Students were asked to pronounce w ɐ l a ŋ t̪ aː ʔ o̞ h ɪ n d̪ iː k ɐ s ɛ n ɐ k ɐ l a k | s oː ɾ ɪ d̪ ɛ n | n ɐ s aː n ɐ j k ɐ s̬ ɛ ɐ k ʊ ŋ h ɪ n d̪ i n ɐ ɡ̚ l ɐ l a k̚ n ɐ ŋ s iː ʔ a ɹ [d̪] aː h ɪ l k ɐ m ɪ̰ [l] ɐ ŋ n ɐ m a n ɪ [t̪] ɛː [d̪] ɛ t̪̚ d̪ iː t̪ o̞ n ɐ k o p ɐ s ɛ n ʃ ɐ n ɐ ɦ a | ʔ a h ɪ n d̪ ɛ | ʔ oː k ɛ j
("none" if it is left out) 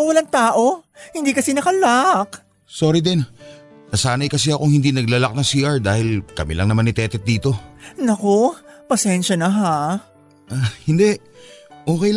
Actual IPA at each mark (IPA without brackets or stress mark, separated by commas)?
d̪, l, t̪, t̪